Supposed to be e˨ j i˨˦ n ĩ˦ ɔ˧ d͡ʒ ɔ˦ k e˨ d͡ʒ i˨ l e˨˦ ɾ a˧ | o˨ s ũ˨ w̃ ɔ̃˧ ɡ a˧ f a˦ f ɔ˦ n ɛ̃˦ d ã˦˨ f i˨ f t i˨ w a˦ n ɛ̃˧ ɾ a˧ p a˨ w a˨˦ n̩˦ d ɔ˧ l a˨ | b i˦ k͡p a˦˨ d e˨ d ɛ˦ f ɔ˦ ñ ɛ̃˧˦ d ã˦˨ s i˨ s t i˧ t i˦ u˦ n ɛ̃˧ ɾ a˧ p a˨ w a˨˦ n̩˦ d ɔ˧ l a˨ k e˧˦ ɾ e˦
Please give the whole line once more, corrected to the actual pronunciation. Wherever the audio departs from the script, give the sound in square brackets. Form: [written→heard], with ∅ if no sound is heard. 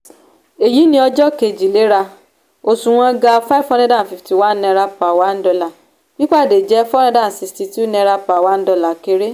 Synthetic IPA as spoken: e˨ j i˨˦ n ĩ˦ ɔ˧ d͡ʒ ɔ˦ k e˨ d͡ʒ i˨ l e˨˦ ɾ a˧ | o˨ s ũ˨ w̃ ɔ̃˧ ɡ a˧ f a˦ f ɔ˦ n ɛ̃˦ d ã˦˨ f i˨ f t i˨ w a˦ n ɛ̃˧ ɾ a˧ p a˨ w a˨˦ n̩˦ d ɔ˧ l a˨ | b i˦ k͡p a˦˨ d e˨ [d→d͡ʒ] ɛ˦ f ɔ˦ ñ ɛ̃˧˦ d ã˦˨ s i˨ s t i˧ t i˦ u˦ n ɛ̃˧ ɾ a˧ p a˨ w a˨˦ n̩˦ d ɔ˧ l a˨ k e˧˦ ɾ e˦